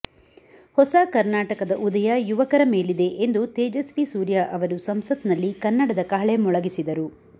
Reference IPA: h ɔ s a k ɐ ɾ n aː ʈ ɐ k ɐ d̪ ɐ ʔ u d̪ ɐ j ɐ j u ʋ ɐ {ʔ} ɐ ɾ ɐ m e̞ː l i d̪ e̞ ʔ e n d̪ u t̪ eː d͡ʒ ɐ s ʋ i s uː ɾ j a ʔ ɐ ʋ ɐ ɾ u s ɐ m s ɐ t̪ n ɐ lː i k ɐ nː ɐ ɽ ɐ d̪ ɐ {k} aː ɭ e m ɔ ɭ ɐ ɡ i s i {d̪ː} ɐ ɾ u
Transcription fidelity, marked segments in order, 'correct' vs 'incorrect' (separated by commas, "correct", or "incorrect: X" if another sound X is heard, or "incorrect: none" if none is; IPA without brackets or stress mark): incorrect: k, correct, incorrect: d̪